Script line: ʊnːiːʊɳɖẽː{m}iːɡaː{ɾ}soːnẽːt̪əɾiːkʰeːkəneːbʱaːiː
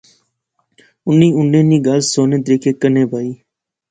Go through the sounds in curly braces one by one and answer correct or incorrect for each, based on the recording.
incorrect: n, incorrect: l

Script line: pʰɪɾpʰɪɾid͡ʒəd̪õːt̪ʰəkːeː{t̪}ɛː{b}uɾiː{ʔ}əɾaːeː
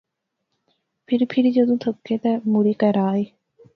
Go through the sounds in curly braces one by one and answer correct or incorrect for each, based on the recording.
correct, incorrect: m, incorrect: k

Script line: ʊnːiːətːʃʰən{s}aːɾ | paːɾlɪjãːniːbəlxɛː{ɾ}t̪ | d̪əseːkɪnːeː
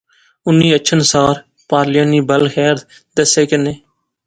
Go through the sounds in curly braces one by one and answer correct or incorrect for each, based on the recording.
correct, correct

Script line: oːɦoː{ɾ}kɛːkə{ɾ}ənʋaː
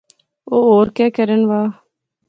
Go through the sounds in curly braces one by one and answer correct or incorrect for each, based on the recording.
correct, correct

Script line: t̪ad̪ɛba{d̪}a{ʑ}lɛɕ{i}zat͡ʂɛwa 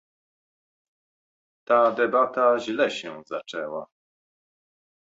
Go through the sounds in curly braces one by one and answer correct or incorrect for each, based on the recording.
incorrect: t̪, correct, incorrect: ɛ

